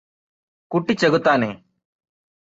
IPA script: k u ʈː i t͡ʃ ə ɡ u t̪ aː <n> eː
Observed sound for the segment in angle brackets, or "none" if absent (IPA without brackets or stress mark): n